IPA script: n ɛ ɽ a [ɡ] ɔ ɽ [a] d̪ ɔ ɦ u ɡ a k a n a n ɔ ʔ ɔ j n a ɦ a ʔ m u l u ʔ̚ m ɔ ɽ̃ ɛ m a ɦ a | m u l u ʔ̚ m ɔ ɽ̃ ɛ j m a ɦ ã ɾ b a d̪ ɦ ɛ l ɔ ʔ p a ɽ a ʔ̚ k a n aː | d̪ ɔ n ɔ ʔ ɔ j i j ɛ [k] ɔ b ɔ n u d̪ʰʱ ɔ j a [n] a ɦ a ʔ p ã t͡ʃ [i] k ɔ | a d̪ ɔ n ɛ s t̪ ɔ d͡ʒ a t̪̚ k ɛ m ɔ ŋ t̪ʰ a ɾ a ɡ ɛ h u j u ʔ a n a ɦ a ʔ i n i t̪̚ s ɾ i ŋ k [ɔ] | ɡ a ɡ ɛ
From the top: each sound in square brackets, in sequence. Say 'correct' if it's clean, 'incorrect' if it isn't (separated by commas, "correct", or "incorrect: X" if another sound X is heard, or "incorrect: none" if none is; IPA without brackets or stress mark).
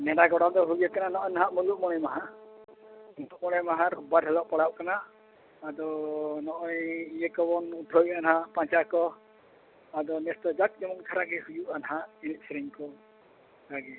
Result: correct, correct, correct, correct, incorrect: a, correct